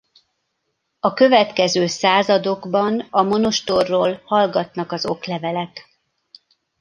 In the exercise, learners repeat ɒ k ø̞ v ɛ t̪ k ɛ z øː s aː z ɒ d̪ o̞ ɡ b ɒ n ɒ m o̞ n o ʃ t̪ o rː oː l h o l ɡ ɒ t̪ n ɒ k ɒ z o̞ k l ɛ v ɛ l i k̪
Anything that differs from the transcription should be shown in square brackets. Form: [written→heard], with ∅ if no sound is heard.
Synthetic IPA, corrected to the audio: ɒ k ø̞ v ɛ t̪ k ɛ z øː s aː z ɒ d̪ o̞ ɡ b ɒ n ɒ m o̞ n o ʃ t̪ o rː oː l h [o→ɒ] l ɡ ɒ t̪ n ɒ k ɒ z o̞ k l ɛ v ɛ l [i→ɛ] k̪